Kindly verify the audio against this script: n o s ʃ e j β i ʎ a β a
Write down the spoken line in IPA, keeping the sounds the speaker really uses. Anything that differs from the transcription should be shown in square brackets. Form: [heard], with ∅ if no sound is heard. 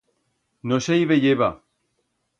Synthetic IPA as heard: n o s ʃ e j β [e] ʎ [e] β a

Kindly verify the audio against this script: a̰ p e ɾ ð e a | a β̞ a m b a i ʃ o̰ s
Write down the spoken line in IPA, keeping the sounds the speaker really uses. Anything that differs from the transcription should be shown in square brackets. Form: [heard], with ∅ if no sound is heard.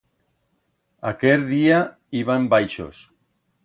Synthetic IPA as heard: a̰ [k] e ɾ ð [i] a | [i] β̞ a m b a [j] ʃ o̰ s

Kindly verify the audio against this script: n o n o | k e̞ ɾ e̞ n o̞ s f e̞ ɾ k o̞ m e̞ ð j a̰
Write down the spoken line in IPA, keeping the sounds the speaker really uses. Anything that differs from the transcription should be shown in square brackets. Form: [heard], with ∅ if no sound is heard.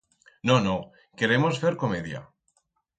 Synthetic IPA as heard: n o n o | k e̞ ɾ e̞ [m] o̞ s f e̞ ɾ k o̞ m e̞ ð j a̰

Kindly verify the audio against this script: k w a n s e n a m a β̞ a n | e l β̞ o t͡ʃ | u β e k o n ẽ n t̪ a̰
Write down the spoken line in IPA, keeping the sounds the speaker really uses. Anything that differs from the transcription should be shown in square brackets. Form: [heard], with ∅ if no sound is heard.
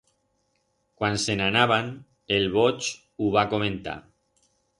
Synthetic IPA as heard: k w a n s e n a [n] a β̞ a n | e l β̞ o t͡ʃ | u β [a] k o [m] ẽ n t̪ a̰

